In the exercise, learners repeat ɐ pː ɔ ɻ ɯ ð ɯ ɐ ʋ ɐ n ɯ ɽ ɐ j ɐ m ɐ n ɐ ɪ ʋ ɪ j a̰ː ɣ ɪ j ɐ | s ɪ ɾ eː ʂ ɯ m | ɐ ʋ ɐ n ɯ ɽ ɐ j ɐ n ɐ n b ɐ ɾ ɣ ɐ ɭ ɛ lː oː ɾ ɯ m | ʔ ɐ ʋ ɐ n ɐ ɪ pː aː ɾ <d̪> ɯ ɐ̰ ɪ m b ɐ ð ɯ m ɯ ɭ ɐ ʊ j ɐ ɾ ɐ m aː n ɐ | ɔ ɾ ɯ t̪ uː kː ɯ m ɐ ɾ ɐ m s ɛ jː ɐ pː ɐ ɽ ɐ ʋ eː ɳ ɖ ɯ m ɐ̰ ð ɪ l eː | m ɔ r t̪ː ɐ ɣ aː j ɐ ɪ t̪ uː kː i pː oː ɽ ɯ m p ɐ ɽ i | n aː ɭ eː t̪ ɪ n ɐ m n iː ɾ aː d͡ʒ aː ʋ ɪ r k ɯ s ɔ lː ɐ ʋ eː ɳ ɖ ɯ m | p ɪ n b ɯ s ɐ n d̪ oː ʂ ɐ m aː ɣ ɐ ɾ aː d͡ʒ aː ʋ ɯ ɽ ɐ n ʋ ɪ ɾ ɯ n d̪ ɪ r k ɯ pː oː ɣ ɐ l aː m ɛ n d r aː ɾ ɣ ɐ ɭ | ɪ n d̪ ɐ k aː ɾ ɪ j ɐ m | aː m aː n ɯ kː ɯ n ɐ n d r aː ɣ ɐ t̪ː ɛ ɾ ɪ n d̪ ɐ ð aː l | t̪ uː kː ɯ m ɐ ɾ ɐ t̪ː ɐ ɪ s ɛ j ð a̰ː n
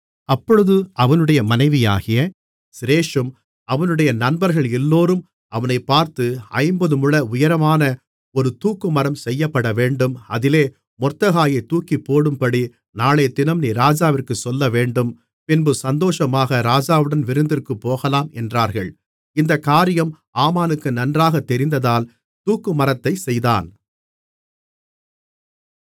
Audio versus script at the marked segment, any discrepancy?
yes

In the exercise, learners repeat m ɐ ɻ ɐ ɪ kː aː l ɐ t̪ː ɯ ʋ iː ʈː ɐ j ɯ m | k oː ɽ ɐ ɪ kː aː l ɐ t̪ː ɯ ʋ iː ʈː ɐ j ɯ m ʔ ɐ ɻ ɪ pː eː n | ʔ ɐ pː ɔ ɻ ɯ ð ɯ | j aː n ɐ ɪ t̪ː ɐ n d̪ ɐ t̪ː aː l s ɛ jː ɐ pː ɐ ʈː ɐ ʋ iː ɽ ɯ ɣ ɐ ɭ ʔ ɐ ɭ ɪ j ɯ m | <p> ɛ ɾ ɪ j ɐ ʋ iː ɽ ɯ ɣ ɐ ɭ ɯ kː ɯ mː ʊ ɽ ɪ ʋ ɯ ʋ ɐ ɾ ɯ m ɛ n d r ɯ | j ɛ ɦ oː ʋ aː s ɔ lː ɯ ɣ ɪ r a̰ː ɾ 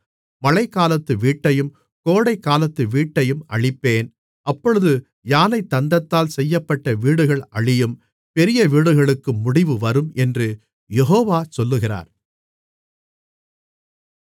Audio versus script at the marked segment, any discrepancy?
no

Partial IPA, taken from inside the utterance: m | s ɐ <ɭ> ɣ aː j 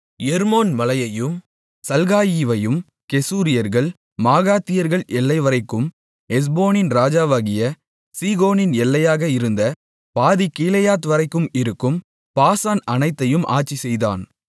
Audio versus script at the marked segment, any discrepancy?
yes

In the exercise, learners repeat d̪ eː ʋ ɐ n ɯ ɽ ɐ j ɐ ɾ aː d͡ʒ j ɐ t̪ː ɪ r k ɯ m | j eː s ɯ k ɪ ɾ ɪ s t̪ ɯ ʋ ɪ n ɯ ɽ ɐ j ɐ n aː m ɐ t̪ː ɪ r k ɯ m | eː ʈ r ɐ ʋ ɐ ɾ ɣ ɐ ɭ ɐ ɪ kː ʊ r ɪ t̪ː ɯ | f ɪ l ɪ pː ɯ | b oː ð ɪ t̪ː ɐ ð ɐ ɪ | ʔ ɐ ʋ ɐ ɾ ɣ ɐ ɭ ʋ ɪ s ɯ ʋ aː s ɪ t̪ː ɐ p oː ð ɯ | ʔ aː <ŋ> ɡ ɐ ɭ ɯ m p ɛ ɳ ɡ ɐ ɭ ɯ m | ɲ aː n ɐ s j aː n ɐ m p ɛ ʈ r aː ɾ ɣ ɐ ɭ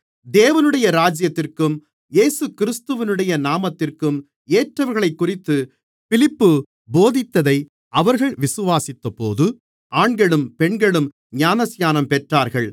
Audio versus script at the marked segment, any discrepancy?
yes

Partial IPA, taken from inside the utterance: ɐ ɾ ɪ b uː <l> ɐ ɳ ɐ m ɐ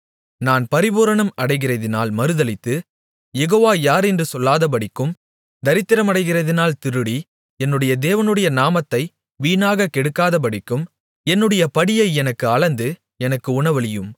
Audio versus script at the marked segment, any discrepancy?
yes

